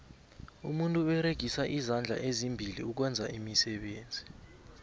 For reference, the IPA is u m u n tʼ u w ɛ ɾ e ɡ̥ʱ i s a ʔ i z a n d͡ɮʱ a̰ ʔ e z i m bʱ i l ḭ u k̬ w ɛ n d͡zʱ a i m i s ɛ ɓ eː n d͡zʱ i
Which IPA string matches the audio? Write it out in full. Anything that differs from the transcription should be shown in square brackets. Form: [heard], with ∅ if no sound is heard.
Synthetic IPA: u m u n tʼ u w ɛ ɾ e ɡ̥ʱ i s a ʔ i z a n d͡ɮʱ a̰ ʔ e z i m bʱ i l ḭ u k̬ w ɛ n d͡zʱ a i m i s ɛ ɓ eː n d͡zʱ i